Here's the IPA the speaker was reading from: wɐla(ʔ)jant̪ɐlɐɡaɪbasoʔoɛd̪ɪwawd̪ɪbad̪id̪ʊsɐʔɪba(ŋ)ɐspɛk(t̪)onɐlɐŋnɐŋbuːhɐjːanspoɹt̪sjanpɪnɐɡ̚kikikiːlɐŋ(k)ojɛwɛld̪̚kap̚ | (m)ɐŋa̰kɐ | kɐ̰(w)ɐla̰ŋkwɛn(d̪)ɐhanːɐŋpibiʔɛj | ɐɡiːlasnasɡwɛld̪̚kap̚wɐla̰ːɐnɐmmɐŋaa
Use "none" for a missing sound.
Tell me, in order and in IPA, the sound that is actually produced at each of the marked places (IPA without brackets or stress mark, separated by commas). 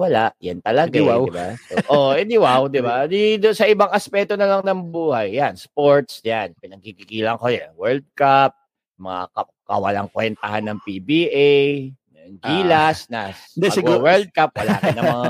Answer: ʔ, ŋ, t̪, k, m, w, t̪